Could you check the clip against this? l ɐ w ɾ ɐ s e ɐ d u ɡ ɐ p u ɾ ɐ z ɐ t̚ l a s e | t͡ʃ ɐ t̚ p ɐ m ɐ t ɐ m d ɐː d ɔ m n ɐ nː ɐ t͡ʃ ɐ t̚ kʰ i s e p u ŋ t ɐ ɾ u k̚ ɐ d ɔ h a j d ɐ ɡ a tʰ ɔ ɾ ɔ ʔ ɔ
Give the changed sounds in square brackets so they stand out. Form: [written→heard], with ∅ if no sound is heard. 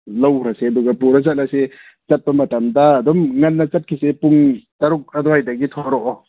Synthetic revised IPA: l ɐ w ɾ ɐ s e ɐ d u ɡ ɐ p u ɾ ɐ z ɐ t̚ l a s e | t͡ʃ ɐ t̚ p ɐ m ɐ t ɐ m d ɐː d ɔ m [n→ŋ] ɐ nː ɐ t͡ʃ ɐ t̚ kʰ i s e p u ŋ t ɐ ɾ u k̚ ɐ d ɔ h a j d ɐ ɡ [a→i] tʰ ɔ ɾ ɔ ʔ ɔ